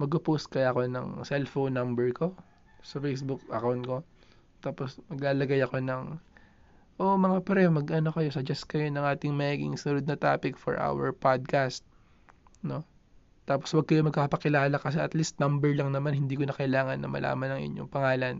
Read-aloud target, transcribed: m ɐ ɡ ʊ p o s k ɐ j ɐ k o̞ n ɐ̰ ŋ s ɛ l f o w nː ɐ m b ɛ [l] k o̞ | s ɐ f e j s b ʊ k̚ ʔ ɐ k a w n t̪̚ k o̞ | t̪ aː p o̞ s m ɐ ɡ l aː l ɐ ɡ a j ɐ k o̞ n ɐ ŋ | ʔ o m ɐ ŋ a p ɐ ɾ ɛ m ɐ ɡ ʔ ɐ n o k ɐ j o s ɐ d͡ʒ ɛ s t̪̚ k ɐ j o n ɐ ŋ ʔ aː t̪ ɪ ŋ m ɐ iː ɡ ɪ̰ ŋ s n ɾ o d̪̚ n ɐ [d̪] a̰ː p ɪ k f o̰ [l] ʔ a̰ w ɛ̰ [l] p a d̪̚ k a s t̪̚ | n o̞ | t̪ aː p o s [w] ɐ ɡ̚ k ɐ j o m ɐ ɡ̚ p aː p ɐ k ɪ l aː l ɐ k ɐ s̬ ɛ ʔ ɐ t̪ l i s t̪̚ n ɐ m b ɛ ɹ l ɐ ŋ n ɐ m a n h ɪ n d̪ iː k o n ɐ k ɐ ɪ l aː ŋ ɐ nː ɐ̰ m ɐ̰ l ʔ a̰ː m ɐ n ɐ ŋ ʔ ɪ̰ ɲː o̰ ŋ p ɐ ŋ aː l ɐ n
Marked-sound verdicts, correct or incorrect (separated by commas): incorrect, incorrect, incorrect, incorrect, correct